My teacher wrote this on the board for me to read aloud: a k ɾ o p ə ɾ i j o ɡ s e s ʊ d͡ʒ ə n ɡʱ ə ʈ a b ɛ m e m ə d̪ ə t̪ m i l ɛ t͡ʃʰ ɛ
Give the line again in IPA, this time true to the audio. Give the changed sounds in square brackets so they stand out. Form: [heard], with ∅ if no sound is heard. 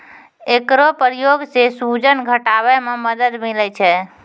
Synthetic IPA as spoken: [e] k ɾ o p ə ɾ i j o ɡ s e s [u] d͡ʒ ə n ɡʱ ə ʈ a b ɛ m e m ə d̪ ə [d̪] m i l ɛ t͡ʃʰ ɛ